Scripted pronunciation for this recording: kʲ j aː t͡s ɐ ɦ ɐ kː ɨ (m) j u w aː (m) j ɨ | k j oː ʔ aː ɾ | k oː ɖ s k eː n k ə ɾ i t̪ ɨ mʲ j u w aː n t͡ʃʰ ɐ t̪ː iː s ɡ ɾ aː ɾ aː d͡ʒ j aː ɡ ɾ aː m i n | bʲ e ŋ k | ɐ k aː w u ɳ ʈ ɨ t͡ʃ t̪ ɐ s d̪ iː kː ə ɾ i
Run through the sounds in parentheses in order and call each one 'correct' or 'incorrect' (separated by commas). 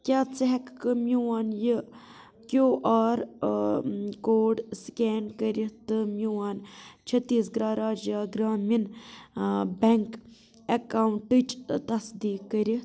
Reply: correct, incorrect